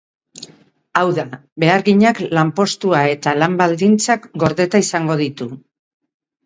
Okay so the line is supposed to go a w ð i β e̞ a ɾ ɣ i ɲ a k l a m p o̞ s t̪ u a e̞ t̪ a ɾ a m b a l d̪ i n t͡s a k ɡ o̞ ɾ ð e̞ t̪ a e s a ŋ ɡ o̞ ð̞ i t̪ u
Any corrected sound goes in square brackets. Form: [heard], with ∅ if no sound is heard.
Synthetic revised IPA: a w ð [a] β e̞ a ɾ ɣ i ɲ a k l a m p o̞ s t̪ u a e̞ t̪ a [l] a m b a l d̪ i n t͡s a k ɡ o̞ ɾ ð e̞ t̪ a [i] s a ŋ ɡ o̞ ð̞ i t̪ u